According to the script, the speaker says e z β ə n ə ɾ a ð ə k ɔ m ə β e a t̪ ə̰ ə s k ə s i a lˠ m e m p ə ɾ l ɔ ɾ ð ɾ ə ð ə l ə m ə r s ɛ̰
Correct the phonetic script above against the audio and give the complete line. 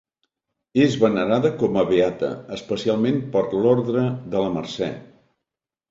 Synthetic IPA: e z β ə n ə ɾ a ð ə k ɔ m ə β e a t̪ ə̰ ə s p ə s i a lˠ m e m p ə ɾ l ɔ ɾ ð ɾ ə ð ə l ə m ə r s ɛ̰